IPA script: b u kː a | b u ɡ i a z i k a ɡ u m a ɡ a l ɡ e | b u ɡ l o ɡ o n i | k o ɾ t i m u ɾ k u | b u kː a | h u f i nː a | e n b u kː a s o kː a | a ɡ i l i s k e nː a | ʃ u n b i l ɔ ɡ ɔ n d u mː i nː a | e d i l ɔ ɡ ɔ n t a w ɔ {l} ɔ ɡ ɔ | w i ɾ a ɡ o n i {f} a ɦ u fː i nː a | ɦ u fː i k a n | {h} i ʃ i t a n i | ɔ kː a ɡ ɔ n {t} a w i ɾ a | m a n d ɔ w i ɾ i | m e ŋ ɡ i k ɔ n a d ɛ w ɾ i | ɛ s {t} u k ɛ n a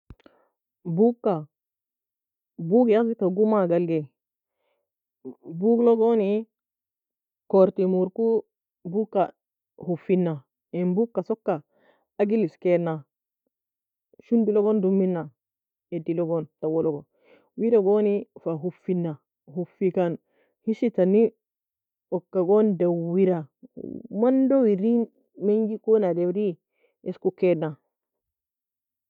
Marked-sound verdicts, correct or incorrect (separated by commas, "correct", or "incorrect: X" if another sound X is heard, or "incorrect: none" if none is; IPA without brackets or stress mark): correct, correct, correct, incorrect: d, incorrect: k